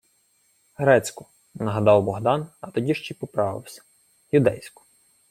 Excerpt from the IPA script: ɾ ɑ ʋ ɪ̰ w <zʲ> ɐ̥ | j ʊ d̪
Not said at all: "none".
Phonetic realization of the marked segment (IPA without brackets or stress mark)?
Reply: sʲ